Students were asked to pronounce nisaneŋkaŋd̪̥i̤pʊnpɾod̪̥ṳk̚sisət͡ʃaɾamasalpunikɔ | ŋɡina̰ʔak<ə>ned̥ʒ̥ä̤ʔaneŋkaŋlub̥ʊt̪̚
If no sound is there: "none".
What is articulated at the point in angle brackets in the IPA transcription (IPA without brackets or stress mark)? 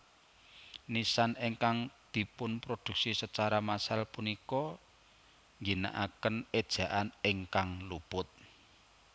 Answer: ə